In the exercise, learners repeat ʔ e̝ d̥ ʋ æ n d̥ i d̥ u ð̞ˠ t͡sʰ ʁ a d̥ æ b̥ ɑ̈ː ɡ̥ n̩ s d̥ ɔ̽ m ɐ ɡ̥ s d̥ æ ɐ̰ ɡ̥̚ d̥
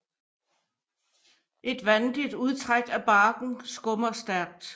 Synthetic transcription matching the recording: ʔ e̝ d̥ ʋ æ n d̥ i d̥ u ð̞ˠ t͡sʰ ʁ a ɡ̥ æ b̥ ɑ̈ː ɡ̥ n̩ s ɡ̥ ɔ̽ m ɐ s d̥ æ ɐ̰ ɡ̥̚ d̥